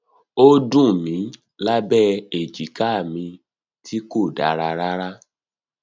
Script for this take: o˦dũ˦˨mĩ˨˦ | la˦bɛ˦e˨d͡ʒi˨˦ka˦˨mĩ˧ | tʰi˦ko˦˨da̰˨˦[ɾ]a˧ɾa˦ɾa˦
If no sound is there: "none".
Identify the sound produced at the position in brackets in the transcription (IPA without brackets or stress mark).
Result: ɾ